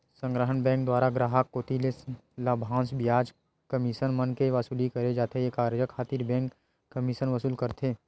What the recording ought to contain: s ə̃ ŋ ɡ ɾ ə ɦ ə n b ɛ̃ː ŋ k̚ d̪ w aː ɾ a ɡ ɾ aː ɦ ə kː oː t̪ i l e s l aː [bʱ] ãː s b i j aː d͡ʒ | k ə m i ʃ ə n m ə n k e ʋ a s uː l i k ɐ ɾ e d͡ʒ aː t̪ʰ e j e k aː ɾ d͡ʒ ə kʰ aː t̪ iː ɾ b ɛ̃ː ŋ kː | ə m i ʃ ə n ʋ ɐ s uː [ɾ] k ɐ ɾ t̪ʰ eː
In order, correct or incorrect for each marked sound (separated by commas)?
correct, incorrect